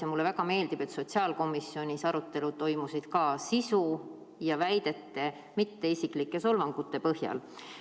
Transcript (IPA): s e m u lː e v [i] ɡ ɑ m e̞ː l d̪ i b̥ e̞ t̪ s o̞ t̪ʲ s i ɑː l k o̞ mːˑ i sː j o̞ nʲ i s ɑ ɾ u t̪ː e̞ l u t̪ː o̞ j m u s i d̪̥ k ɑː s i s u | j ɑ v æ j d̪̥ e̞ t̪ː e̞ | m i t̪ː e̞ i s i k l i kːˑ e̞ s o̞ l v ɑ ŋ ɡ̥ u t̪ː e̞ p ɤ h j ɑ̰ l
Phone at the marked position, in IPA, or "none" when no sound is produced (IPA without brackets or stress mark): æ